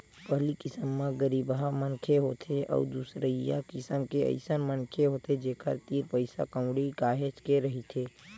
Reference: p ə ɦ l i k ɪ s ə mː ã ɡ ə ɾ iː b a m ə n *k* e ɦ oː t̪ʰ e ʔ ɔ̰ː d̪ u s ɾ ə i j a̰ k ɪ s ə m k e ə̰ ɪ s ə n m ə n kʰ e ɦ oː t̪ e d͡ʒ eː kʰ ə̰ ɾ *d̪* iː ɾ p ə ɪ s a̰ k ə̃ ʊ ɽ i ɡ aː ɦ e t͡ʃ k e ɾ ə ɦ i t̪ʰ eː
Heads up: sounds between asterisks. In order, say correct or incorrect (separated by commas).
incorrect, incorrect